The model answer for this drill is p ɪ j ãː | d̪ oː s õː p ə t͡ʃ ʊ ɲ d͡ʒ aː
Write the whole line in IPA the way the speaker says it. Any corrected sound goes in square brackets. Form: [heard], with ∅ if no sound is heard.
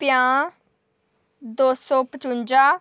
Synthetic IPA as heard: p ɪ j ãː | d̪ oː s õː p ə t͡ʃ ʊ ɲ d͡ʒ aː